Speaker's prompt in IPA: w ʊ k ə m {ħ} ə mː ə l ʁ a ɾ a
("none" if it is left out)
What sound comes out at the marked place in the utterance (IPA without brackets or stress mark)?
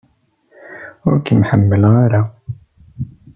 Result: ħ